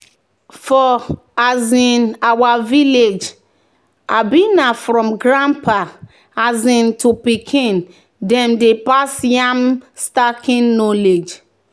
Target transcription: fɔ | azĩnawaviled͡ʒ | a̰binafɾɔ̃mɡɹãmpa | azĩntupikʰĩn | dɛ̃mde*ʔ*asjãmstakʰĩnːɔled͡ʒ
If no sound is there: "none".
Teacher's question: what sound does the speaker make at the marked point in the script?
p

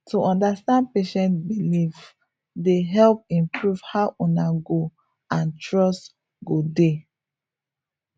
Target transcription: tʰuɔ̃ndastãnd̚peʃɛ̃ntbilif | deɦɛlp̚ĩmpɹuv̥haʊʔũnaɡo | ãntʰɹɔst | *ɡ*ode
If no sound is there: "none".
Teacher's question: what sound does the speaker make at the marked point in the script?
ɡ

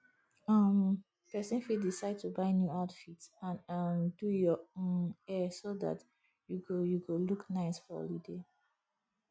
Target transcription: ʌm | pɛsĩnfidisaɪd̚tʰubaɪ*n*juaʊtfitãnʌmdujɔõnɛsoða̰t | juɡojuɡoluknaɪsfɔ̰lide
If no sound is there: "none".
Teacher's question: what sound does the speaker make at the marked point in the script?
n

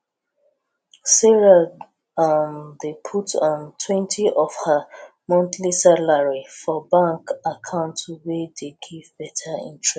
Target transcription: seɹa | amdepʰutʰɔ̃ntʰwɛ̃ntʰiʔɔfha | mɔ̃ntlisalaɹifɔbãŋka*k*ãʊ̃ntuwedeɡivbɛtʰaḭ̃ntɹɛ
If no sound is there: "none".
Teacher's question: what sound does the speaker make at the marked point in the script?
kʰ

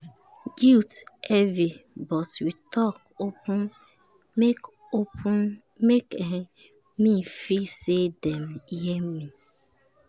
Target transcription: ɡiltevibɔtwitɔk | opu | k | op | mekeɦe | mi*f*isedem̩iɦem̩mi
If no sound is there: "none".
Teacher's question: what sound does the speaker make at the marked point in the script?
f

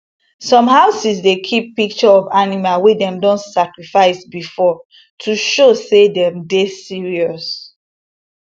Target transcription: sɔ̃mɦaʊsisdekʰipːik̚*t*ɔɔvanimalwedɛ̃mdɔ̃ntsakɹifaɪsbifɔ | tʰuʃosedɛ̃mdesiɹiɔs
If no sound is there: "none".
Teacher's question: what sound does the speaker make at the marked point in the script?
t͡ʃ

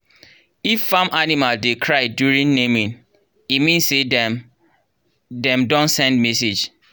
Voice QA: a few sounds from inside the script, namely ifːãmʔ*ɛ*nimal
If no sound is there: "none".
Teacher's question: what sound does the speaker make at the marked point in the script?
a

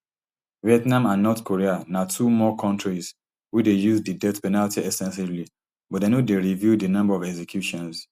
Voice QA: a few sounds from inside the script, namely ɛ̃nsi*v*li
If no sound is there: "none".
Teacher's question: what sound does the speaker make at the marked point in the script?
v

